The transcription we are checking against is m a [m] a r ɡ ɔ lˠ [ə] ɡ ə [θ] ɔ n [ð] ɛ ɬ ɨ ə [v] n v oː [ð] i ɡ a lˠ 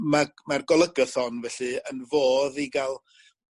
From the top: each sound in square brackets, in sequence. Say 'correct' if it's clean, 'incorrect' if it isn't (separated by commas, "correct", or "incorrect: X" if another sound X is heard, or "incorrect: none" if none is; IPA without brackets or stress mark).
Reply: correct, correct, correct, incorrect: v, incorrect: none, correct